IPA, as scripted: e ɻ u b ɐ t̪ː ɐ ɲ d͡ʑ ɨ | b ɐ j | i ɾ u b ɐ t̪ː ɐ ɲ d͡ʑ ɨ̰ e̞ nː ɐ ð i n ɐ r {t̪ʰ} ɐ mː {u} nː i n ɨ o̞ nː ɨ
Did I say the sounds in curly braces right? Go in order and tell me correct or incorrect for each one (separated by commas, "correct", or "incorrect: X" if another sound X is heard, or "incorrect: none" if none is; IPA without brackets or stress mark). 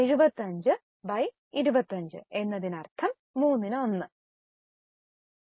correct, incorrect: uː